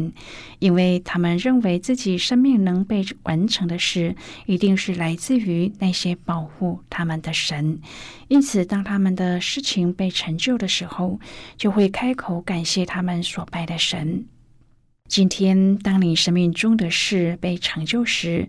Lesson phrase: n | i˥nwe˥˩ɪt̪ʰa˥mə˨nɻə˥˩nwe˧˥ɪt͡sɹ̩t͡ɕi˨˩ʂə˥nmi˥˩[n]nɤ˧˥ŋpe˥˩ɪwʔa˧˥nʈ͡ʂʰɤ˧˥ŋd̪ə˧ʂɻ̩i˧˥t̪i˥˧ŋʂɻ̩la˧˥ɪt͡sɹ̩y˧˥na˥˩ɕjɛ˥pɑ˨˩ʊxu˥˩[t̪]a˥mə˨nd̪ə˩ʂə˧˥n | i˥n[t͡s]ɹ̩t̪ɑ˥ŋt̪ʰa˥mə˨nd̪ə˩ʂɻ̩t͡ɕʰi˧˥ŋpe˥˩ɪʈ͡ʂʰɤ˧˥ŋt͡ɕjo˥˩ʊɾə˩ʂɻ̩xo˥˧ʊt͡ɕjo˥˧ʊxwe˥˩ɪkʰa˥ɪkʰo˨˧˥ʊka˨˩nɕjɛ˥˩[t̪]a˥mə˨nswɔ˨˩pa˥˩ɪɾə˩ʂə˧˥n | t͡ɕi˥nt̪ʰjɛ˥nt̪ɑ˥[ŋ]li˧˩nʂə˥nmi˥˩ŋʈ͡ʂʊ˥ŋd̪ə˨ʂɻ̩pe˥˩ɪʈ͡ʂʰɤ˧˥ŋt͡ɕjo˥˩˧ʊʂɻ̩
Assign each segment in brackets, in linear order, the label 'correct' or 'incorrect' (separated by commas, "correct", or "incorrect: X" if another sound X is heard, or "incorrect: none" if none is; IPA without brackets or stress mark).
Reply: incorrect: ŋ, incorrect: t̪ʰ, incorrect: t͡sʰ, incorrect: t̪ʰ, correct